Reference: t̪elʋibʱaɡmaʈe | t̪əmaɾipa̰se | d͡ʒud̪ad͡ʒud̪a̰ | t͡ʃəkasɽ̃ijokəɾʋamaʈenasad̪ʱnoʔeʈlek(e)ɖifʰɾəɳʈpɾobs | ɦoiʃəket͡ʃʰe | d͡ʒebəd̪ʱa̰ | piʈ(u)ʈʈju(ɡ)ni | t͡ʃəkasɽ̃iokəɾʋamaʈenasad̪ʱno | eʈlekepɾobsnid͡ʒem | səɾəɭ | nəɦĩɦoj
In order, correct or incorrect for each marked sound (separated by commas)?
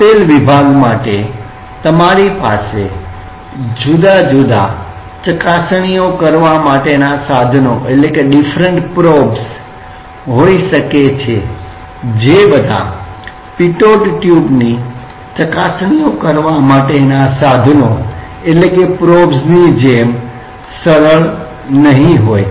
correct, incorrect, incorrect